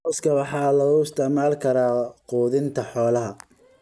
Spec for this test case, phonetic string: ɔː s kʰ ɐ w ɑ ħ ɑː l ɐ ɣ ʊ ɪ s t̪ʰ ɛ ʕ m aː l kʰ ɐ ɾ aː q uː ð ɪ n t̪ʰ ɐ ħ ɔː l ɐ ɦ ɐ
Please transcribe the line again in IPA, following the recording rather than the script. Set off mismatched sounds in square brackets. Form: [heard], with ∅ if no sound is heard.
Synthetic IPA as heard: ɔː s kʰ ɐ w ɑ ħ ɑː l ɐ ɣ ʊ ɪ s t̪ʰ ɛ ʕ m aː l kʰ ɐ ɾ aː q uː ð ɪ n t̪ʰ ɐ ħ ɔː l ɐ ɦ ɐ